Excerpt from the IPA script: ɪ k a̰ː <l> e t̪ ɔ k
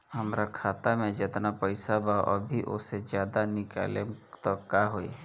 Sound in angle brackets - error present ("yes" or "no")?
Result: no